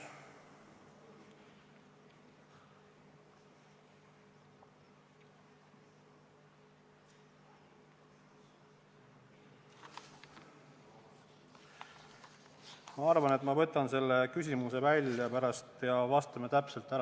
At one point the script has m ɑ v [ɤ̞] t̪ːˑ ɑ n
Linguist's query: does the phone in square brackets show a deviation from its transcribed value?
no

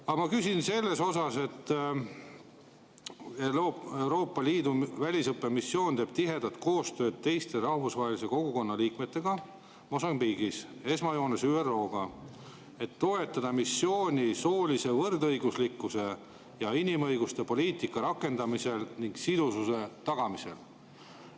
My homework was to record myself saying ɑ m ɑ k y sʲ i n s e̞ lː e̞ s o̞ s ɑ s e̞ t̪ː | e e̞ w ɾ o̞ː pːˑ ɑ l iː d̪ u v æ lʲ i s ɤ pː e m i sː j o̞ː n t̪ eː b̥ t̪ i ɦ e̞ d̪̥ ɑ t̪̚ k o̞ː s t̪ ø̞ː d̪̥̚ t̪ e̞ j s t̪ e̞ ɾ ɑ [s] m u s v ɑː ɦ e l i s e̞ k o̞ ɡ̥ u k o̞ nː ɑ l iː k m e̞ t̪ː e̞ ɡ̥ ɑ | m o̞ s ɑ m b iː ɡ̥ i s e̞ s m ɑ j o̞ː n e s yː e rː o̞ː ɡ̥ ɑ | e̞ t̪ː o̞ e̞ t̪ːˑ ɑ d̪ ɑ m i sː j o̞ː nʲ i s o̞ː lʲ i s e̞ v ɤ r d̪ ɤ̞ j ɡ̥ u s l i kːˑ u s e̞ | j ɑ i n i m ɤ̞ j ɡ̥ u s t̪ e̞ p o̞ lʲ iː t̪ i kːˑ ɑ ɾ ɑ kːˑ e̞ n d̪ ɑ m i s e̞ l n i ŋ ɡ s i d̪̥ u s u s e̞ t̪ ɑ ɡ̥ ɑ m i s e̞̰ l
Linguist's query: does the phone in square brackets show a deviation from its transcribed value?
yes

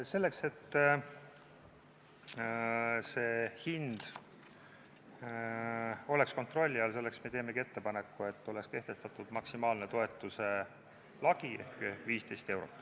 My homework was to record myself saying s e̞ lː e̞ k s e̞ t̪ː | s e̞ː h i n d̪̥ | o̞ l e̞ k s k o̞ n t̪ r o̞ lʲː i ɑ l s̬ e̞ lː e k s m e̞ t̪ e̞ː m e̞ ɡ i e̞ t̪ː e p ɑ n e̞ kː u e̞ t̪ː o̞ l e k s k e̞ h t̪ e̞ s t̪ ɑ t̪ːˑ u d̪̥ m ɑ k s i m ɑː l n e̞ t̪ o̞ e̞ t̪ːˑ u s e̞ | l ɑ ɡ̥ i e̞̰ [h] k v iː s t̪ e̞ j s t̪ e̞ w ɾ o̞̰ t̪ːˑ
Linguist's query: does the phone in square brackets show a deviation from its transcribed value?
no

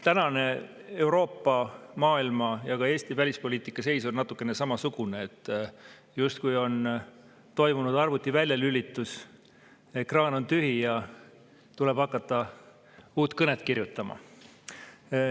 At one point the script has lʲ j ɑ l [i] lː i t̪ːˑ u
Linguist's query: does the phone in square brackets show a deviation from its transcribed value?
yes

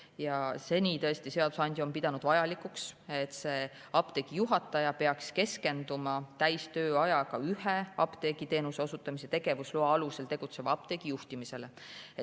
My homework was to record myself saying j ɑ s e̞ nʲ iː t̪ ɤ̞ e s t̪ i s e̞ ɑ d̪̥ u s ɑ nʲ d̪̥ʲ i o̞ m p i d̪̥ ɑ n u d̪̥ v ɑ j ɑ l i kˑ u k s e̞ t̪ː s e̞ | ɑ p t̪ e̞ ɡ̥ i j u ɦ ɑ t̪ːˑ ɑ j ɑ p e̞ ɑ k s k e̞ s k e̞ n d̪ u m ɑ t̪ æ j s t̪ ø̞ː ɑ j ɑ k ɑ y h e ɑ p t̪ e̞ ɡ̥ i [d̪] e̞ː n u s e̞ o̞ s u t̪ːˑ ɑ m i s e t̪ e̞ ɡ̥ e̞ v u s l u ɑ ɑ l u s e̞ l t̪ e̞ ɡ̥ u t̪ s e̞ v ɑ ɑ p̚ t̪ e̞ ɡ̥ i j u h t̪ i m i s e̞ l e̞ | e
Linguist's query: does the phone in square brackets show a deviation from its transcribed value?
yes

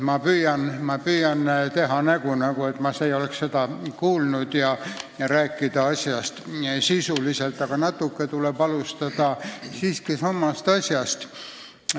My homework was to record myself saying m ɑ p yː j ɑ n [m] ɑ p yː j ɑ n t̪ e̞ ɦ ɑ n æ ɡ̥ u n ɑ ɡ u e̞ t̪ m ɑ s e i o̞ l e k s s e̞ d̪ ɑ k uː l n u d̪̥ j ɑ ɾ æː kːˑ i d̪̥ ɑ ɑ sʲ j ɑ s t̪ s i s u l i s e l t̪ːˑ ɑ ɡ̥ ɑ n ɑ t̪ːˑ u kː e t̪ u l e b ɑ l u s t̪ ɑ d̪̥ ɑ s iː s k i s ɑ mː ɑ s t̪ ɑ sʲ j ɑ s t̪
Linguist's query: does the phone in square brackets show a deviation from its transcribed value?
no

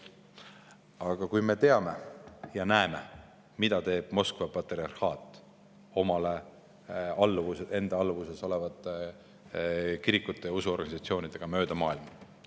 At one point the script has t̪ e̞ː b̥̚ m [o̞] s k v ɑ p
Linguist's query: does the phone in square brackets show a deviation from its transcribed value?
no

